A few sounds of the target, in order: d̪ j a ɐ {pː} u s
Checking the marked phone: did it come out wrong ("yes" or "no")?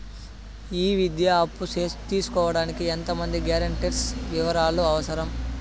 no